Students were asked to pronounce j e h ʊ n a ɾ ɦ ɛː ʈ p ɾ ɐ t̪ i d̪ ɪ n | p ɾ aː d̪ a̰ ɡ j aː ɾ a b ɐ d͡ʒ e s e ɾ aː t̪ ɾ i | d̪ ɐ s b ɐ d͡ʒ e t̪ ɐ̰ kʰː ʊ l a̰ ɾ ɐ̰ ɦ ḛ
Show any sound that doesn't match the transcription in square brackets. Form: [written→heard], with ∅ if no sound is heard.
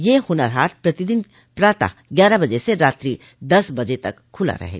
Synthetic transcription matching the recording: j e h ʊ n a ɾ ɦ [ɛː→aː] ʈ p ɾ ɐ t̪ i d̪ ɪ n | p ɾ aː [d̪→t̪] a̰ ɡ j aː ɾ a b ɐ d͡ʒ e s e ɾ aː t̪ ɾ i | d̪ ɐ s b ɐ d͡ʒ e t̪ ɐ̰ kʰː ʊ l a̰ ɾ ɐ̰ ɦ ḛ